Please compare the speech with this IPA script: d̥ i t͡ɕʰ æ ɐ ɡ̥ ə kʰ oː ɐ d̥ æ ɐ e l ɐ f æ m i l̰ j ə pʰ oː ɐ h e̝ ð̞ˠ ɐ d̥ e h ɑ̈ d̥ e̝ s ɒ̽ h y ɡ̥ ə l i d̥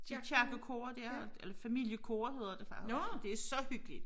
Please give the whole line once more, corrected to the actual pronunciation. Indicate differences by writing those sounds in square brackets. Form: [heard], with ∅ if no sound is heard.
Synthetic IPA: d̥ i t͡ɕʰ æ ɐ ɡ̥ ə kʰ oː ɐ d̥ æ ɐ e l ɐ f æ m i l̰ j ə [kʰ] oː ɐ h e̝ ð̞ˠ ɐ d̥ e [f] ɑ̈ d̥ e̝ s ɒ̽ h y ɡ̥ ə l i d̥